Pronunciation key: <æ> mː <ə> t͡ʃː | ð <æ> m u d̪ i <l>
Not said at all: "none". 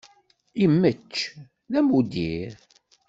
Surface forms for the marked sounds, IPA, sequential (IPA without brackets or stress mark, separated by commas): i, ə, æ, ɾ